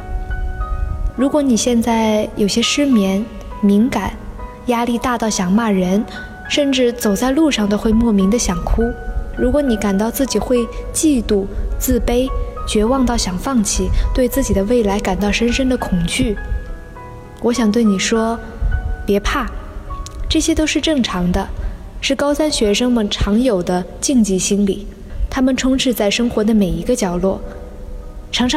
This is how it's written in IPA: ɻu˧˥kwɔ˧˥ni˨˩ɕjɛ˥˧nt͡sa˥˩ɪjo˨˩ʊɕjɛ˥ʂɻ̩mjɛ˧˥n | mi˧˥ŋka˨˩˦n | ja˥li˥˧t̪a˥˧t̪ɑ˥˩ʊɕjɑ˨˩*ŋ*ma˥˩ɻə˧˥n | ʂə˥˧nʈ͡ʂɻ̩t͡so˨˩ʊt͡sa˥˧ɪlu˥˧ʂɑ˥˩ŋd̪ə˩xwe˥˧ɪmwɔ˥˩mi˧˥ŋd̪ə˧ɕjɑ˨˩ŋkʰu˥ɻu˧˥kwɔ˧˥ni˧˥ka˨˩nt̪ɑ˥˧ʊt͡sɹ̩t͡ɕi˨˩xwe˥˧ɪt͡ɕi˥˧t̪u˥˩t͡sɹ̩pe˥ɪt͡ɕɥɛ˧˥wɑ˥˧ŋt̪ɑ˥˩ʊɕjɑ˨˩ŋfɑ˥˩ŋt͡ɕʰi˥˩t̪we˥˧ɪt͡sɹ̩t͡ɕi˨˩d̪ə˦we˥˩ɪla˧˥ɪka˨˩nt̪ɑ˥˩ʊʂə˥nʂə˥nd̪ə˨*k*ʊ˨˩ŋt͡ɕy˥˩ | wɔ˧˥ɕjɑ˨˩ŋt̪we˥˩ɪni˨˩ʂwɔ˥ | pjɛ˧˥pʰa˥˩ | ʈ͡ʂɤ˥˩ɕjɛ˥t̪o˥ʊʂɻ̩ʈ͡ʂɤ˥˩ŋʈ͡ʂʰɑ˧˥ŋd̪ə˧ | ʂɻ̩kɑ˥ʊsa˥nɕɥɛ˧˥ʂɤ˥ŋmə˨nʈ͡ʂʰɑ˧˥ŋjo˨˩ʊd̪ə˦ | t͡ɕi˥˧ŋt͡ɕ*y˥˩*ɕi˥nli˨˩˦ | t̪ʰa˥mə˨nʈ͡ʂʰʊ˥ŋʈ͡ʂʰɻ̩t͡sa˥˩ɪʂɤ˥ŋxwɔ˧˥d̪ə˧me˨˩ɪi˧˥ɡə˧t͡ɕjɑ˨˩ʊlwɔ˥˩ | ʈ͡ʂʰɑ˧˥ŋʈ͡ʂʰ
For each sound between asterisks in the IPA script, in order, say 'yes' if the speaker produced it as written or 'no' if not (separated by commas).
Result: yes, no, no